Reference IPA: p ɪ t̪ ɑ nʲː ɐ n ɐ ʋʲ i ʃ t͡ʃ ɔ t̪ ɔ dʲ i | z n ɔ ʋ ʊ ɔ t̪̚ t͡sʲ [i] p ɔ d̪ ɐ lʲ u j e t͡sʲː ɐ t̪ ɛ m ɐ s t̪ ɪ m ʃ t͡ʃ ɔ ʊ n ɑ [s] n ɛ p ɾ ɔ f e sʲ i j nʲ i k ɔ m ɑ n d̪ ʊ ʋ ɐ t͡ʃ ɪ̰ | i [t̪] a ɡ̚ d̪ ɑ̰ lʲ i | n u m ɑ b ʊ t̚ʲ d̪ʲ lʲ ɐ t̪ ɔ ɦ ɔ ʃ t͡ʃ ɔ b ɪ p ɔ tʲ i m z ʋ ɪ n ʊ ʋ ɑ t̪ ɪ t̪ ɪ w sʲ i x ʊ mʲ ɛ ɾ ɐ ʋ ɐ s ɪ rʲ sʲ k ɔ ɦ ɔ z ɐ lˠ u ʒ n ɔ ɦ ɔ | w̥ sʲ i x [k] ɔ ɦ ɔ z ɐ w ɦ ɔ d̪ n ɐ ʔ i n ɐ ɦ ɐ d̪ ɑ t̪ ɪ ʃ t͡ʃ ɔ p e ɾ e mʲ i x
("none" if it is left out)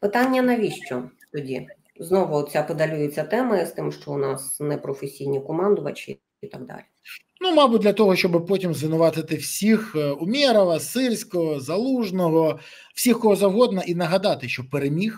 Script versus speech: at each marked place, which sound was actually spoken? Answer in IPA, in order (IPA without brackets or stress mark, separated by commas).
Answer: a, s, t̪, k